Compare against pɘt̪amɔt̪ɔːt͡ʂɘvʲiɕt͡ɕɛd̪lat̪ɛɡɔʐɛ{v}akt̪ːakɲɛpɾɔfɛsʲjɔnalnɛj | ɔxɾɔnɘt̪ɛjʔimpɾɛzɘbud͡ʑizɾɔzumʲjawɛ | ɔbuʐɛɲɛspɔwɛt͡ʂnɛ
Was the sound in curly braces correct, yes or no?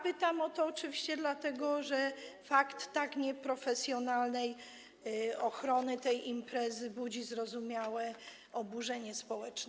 no